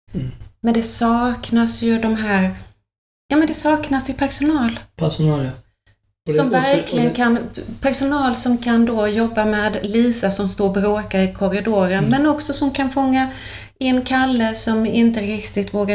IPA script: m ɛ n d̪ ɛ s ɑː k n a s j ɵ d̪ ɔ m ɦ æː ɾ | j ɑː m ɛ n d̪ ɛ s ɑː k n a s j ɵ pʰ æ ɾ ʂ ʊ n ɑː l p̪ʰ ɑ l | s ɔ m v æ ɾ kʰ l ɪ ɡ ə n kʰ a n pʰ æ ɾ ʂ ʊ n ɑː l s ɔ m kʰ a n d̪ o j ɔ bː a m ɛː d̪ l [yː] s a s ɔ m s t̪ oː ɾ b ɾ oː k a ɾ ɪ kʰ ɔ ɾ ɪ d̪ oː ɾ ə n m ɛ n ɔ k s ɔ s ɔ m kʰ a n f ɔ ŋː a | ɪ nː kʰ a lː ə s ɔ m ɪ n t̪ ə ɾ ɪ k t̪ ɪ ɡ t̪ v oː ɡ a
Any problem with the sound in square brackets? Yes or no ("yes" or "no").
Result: yes